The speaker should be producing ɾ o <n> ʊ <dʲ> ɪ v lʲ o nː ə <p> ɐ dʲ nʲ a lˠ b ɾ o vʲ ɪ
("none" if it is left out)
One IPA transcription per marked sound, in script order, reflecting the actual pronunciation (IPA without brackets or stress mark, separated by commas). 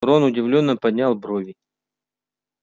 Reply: n, dʲ, p